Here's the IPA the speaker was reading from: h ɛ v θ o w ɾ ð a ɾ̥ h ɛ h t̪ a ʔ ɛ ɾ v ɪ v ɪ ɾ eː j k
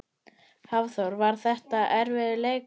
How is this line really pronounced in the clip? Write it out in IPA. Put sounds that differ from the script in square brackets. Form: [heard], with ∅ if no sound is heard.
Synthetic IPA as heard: h [a] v θ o w ɾ [v] a ɾ̥ [θ] ɛ h t̪ a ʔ ɛ ɾ v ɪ [ð] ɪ [l] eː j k